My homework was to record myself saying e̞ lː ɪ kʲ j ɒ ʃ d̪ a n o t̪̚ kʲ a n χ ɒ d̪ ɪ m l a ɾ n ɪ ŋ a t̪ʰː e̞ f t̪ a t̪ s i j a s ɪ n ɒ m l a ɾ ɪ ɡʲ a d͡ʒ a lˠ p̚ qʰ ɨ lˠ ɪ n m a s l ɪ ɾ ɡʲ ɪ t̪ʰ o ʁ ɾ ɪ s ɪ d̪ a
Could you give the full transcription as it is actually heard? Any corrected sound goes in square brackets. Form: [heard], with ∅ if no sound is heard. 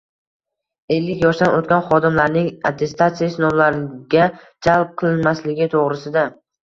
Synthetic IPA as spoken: e̞ lː ɪ kʲ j ɒ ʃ d̪ a n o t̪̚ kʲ a n χ ɒ d̪ ɪ m l a ɾ n ɪ ŋ a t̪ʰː e̞ [s] t̪ a t̪ s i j a s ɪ n ɒ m l a ɾ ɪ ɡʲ a d͡ʒ a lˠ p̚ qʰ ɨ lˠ ɪ n m a s l ɪ [∅] ɡʲ ɪ t̪ʰ o ʁ ɾ ɪ s ɪ d̪ a

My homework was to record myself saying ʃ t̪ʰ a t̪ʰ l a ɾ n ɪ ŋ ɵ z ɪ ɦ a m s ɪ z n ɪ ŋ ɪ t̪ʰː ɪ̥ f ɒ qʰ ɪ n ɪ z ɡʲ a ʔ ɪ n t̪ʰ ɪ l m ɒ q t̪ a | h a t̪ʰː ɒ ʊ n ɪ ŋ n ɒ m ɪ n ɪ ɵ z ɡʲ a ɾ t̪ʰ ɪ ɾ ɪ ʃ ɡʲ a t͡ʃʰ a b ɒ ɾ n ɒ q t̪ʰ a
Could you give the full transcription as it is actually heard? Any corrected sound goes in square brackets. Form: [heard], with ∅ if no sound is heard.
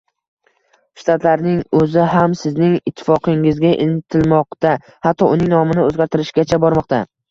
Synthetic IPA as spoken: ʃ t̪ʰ a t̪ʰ l a ɾ n ɪ ŋ ɵ z ɪ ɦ a m s ɪ z n ɪ ŋ ɪ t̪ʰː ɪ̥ f ɒ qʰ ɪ [ŋ] ɪ z ɡʲ a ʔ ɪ n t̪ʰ ɪ l m ɒ q t̪ a | h a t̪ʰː ɒ ʊ n ɪ ŋ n ɒ m ɪ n ɪ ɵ z ɡʲ a ɾ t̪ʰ ɪ ɾ ɪ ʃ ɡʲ a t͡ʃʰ a b ɒ ɾ [m] ɒ q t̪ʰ a

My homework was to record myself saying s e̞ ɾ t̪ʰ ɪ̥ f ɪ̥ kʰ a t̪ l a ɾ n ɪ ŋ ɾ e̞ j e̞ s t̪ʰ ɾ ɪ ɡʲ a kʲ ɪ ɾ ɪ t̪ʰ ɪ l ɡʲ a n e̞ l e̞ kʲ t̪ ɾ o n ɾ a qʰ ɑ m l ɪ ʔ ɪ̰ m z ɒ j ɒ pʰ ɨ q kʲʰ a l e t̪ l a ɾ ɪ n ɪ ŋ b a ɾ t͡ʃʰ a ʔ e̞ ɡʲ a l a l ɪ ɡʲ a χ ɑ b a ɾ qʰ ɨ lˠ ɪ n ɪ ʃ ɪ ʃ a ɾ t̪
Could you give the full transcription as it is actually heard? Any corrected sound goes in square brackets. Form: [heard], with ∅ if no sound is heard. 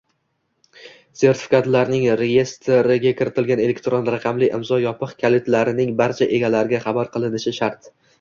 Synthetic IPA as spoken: s e̞ ɾ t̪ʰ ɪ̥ f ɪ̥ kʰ a t̪ l a ɾ n ɪ ŋ ɾ e̞ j e̞ s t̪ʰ ɾ ɪ ɡʲ a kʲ ɪ ɾ ɪ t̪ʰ ɪ l ɡʲ a n e̞ l e̞ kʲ t̪ ɾ o n ɾ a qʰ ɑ m l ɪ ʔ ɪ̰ m z ɒ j ɒ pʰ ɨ q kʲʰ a l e t̪ l a ɾ ɪ n ɪ ŋ b a ɾ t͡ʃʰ a ʔ e̞ ɡʲ a l a [ɾ] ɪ ɡʲ a χ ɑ b a ɾ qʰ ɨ lˠ ɪ n ɪ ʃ ɪ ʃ a ɾ t̪

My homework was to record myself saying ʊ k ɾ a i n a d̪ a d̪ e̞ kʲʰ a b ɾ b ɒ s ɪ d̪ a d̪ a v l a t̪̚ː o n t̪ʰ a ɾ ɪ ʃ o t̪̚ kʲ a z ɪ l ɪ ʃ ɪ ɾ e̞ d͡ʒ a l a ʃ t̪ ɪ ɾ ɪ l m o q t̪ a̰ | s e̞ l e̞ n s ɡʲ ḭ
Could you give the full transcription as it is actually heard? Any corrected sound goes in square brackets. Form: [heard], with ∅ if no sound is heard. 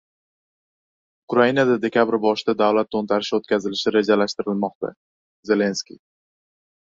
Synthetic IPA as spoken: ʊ k ɾ a i n a d̪ a d̪ e̞ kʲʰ a b ɾ b ɒ [ʃ] ɪ d̪ a d̪ a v l a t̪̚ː o n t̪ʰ a ɾ ɪ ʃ o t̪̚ kʲ a z ɪ l ɪ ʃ ɪ ɾ e̞ d͡ʒ a l a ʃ t̪ ɪ ɾ ɪ l m [ɒ] q t̪ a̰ | [z] e̞ l e̞ n s [kʲ] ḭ

